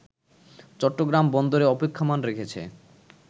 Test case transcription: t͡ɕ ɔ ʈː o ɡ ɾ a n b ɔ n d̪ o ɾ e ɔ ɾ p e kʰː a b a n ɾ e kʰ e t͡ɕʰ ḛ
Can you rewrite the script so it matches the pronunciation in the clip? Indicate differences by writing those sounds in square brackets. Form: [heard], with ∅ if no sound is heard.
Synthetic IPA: t͡ɕ ɔ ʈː o ɡ ɾ a [m] b ɔ n d̪ o ɾ e ɔ [∅] p e kʰː a [m] a n ɾ e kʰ e t͡ɕʰ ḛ